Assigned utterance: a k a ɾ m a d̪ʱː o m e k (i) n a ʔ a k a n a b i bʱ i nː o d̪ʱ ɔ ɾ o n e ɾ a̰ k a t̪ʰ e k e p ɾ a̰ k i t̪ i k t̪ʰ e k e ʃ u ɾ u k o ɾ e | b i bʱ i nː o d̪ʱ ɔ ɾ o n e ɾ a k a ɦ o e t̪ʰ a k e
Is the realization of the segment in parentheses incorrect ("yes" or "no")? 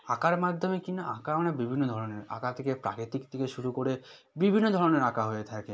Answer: no